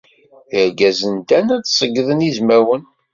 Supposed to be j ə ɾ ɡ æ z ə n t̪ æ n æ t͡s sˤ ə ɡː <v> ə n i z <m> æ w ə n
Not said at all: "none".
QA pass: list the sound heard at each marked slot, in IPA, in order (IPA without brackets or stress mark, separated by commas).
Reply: ð, m